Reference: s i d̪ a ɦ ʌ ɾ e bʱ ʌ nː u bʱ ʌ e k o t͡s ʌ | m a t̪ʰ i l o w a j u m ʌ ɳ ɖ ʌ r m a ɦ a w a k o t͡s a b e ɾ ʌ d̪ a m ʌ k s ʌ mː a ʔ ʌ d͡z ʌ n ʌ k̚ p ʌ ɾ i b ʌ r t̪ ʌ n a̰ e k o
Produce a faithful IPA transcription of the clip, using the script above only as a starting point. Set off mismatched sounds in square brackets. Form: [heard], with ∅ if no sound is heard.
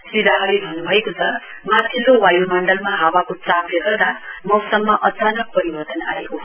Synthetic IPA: s i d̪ a ɦ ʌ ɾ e bʱ ʌ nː u bʱ ʌ e k o [t͡sʰ] ʌ | m a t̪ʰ i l o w a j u m ʌ ɳ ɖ ʌ [l] m a ɦ a w a k o t͡s a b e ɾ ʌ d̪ a m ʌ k s ʌ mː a ʔ ʌ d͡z [a] n ʌ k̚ p ʌ ɾ i b ʌ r t̪ ʌ n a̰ e k o